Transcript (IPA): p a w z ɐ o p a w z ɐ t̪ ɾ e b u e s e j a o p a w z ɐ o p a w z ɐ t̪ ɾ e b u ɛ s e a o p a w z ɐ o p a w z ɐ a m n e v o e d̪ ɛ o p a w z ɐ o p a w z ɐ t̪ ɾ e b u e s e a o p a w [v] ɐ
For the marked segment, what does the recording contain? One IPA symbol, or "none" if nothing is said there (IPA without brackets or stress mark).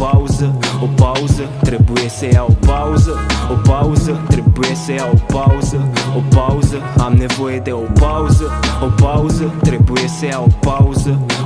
z